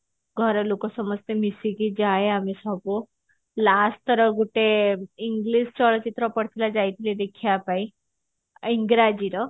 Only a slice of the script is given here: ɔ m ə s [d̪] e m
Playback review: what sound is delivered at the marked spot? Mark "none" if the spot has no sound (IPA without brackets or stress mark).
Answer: t̪